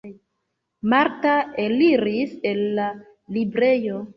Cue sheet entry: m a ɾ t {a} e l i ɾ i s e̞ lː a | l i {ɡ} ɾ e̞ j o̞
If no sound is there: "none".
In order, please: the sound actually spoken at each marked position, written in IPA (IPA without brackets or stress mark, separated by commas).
a, b